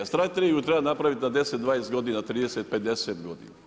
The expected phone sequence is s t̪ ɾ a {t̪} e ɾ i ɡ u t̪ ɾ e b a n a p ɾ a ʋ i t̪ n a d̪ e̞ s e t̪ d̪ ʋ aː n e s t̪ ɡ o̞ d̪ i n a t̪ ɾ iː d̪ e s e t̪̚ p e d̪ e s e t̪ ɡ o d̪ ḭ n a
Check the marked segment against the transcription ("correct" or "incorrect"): correct